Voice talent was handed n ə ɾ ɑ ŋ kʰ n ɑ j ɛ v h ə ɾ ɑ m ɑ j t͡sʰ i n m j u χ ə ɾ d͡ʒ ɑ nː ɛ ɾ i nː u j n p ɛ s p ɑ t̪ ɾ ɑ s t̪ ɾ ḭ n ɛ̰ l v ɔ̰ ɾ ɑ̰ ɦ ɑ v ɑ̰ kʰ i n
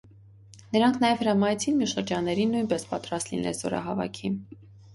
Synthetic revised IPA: n ə ɾ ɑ ŋ kʰ n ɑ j ɛ v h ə ɾ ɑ m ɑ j t͡sʰ i n m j u ʃ ə ɾ d͡ʒ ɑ nː ɛ ɾ i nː u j n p ɛ s p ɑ t̪ ɾ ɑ s t̪ l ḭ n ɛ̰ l z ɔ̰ ɾ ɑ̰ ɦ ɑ v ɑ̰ kʰ i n